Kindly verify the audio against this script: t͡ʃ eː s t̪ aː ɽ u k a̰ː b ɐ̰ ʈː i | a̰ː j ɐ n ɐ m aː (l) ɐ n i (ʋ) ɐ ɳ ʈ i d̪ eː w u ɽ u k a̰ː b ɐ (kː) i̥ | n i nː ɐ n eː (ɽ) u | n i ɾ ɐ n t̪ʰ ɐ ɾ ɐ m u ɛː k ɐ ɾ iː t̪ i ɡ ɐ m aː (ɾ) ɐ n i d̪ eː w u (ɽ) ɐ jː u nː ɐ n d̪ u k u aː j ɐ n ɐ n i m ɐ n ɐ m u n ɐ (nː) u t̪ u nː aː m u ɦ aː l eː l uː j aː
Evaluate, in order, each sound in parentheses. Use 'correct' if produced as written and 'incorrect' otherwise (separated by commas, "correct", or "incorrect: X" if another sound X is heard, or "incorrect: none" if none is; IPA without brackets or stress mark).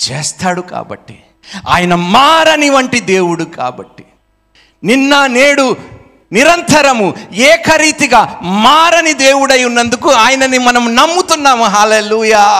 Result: incorrect: ɾ, correct, incorrect: ʈː, correct, correct, correct, incorrect: mː